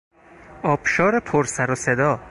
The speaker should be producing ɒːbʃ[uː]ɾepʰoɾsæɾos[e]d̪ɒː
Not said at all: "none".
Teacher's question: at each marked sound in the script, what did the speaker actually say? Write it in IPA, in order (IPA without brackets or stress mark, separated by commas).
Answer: ɒː, e